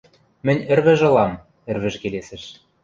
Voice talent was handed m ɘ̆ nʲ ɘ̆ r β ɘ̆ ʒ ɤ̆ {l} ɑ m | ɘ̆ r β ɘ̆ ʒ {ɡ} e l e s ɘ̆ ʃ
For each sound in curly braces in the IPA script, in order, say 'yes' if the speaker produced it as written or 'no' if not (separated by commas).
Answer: yes, no